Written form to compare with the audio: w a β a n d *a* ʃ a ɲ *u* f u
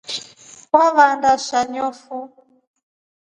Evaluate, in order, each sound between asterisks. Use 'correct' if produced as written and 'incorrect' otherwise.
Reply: correct, incorrect: ɔ

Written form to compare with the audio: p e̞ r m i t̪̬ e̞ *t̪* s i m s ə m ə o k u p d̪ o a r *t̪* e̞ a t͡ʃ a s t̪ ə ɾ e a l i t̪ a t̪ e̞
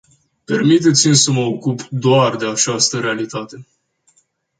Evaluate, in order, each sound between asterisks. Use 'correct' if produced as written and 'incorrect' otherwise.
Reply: correct, incorrect: d̪

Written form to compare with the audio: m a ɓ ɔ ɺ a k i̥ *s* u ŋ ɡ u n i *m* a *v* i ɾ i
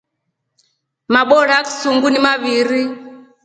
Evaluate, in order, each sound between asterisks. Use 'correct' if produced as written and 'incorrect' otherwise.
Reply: correct, correct, incorrect: β

